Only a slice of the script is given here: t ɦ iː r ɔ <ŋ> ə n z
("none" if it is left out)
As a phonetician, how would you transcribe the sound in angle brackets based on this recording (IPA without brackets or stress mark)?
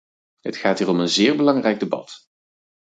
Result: m